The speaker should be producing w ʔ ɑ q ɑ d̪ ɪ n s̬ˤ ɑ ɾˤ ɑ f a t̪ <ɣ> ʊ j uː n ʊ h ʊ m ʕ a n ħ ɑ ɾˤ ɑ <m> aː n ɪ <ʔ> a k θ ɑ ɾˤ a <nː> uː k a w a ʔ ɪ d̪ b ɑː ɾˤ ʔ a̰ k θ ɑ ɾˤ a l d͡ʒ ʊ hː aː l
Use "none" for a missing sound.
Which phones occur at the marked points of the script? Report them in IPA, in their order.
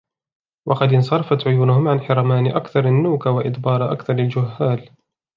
ʕ, m, ʔ, nː

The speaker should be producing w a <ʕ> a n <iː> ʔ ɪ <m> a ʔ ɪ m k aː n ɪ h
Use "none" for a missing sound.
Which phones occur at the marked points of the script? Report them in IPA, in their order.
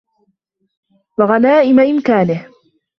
ɣ, aː, m

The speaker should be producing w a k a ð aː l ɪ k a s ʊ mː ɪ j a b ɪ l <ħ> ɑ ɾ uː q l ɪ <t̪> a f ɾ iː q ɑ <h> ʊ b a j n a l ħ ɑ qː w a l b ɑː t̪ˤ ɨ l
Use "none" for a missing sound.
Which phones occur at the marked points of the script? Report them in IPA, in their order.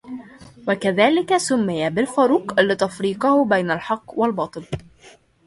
f, t̪, h

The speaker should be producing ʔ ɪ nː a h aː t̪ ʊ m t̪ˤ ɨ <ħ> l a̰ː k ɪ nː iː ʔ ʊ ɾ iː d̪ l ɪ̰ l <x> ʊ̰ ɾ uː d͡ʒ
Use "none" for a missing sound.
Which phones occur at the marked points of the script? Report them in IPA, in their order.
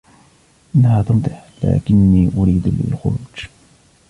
ħ, x

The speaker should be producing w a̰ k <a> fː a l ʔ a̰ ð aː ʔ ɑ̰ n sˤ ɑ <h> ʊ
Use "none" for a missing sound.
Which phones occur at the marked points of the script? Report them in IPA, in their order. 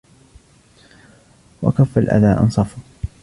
a, f

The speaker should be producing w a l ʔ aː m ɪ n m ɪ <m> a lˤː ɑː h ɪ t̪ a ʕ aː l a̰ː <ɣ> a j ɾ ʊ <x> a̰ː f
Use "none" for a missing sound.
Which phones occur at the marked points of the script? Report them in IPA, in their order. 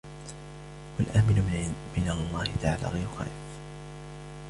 n, ɣ, x

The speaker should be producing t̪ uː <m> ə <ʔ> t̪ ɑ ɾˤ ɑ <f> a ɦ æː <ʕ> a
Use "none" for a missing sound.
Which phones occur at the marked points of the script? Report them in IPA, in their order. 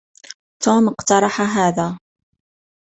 m, q, ħ, ð

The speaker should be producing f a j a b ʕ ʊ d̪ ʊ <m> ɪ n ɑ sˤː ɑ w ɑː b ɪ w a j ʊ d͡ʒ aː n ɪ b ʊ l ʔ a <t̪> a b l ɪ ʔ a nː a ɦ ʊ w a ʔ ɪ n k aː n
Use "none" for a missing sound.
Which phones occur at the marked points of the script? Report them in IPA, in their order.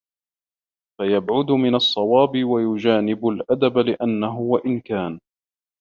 m, d̪

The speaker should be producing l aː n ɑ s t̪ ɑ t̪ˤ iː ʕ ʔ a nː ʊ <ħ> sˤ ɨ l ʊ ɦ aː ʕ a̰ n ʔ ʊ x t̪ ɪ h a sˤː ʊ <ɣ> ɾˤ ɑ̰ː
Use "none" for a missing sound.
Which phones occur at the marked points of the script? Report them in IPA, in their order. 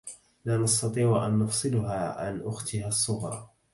f, ɣ

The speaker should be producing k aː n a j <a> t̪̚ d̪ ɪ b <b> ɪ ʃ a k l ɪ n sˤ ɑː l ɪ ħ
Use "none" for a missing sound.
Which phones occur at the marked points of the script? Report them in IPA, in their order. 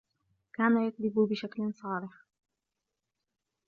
a, b

